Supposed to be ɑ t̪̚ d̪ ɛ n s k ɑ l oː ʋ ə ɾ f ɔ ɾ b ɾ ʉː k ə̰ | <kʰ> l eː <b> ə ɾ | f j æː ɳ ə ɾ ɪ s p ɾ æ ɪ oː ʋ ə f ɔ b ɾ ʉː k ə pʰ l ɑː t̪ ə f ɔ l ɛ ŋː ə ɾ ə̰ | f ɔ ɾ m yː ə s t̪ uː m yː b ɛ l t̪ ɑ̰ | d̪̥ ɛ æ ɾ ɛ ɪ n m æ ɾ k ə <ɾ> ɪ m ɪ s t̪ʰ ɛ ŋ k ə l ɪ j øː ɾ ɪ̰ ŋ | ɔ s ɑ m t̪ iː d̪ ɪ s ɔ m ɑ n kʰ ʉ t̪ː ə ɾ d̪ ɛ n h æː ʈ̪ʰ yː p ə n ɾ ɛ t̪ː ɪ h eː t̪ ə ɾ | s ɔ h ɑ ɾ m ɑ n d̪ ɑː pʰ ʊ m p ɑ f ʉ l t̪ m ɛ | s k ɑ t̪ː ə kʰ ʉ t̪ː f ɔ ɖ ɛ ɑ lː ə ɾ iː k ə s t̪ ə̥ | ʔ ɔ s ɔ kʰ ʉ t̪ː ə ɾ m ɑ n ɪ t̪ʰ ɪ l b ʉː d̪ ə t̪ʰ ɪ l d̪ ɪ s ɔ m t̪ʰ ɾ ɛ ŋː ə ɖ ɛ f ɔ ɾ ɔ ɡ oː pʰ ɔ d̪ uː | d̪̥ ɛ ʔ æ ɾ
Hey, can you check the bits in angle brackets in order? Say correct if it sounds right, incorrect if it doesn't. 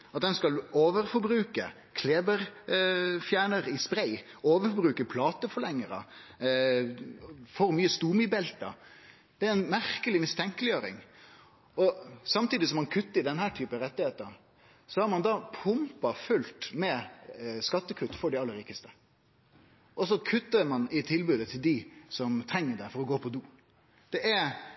correct, correct, incorrect: l

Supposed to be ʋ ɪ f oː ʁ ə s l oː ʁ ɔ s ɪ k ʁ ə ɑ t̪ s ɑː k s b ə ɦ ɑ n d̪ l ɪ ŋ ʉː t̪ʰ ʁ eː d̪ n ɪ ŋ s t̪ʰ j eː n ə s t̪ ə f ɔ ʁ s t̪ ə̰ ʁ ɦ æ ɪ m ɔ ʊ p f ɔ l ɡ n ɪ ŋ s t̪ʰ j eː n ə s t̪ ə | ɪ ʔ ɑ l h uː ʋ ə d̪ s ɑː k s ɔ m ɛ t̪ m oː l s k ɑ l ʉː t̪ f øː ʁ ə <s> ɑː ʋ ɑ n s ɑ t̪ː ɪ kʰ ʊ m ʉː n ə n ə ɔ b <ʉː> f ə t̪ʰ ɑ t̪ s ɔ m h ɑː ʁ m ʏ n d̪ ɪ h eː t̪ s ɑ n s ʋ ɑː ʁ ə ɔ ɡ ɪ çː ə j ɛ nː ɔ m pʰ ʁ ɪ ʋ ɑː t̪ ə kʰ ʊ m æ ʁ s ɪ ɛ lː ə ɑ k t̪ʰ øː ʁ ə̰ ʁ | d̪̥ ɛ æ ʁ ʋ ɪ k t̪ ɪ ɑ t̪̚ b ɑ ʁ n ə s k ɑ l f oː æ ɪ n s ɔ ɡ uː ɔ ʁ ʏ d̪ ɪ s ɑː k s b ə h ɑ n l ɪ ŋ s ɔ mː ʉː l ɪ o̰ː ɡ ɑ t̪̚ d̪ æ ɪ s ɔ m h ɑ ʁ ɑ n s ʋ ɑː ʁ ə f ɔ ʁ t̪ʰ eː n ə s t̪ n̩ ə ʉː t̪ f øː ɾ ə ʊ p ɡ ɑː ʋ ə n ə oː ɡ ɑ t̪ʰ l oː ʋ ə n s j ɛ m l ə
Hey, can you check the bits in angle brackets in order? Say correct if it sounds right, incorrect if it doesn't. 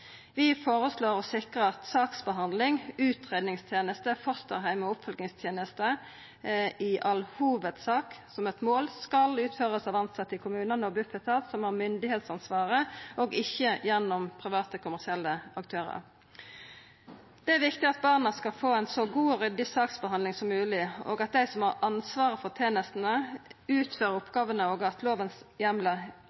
correct, incorrect: ʉ

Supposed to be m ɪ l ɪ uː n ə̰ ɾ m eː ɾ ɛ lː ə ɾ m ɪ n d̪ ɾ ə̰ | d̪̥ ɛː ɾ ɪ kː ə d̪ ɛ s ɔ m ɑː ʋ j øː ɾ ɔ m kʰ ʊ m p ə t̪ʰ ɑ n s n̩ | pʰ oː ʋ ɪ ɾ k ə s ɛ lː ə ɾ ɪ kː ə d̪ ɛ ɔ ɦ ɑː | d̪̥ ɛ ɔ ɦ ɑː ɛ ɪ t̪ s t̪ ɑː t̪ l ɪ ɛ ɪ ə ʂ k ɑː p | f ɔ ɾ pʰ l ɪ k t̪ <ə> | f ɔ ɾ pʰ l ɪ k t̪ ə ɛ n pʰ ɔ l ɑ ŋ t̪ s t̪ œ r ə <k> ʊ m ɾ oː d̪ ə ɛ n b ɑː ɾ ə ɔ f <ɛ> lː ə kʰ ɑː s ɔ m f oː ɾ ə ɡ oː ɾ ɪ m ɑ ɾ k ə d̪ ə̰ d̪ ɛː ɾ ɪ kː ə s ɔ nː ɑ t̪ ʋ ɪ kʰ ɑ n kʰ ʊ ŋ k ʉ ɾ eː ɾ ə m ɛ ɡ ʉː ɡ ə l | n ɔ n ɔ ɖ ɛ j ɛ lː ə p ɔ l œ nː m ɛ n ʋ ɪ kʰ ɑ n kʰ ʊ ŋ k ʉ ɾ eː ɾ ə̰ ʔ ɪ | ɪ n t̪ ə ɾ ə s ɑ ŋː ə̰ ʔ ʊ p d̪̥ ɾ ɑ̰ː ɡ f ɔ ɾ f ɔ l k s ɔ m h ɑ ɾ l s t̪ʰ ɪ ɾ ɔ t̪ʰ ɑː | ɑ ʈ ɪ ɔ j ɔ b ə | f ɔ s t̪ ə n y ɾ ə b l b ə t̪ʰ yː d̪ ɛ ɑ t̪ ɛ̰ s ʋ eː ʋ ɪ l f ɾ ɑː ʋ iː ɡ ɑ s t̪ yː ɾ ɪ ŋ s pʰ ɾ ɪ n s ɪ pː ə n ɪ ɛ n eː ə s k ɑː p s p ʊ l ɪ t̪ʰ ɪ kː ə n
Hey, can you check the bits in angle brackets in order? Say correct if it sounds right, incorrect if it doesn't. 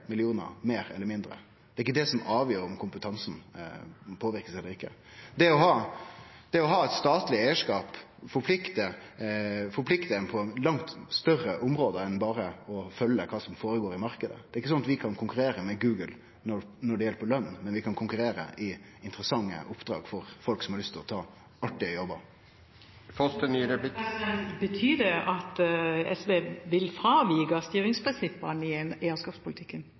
correct, incorrect: ʔ, incorrect: œ

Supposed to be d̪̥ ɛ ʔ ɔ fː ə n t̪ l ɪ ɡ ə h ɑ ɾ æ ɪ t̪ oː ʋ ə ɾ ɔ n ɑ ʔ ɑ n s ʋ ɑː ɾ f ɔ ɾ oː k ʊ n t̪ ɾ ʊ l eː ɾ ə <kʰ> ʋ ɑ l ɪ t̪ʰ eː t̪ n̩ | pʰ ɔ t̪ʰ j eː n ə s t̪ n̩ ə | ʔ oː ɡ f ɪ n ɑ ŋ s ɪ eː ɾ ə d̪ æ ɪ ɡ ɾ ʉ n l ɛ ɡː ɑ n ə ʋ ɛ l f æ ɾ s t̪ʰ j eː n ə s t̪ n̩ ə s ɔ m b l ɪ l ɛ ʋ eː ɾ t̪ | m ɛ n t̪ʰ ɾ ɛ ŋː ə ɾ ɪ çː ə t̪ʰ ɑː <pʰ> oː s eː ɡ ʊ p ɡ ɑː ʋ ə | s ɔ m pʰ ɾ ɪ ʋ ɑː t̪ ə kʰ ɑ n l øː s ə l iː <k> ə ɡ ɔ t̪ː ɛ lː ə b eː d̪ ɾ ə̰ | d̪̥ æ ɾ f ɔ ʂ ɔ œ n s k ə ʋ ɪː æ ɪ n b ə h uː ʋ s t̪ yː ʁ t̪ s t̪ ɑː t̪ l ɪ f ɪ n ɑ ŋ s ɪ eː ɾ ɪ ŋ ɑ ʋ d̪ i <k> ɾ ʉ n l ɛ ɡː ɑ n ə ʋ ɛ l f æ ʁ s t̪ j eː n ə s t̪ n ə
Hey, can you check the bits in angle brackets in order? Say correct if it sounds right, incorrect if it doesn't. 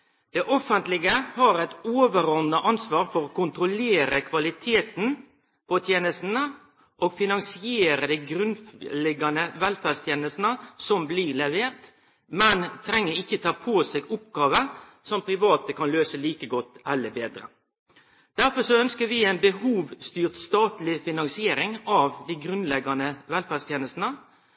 correct, correct, correct, incorrect: ɡ

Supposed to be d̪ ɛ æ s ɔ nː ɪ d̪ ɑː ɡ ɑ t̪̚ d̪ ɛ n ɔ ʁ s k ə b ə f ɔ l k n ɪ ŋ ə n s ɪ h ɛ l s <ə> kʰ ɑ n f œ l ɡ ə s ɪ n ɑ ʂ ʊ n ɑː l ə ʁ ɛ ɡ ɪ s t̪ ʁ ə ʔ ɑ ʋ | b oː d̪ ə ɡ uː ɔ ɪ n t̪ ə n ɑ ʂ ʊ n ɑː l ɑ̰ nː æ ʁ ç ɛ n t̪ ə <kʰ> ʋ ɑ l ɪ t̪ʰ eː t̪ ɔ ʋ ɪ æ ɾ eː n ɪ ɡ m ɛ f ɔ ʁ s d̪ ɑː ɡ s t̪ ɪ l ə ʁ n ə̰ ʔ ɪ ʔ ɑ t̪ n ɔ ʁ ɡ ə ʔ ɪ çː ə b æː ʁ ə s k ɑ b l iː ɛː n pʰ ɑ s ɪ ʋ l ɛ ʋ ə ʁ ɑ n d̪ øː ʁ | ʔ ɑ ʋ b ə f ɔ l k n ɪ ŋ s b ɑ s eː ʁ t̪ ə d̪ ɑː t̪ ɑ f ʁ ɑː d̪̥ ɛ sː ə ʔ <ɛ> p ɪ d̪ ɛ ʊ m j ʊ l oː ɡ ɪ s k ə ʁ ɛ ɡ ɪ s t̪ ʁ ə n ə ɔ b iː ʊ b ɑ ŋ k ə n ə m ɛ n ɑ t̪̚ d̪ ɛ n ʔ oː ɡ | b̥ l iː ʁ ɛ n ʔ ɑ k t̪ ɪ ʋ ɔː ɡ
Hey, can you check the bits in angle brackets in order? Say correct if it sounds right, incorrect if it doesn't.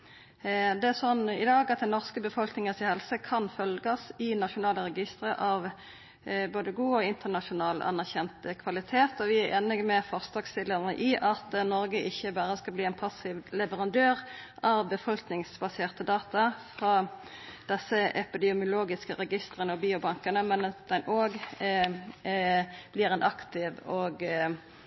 correct, correct, correct

